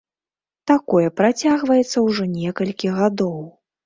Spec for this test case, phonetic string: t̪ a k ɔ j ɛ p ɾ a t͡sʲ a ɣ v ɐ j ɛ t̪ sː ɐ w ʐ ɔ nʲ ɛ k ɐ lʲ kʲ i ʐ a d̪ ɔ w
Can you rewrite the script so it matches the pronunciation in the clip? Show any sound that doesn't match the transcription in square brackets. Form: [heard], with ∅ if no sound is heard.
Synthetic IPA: t̪ a k ɔ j ɛ p ɾ a t͡sʲ a ɣ v ɐ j ɛ t̪ sː ɐ w ʐ ɔ nʲ ɛ k ɐ lʲ kʲ i [ɣ] a d̪ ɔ w